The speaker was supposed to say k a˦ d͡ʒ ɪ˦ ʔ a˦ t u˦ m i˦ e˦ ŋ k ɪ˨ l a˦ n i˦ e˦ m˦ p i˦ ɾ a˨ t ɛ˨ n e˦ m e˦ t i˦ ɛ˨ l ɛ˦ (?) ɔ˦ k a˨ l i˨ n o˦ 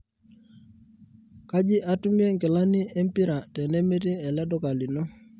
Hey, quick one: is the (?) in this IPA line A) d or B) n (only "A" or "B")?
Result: A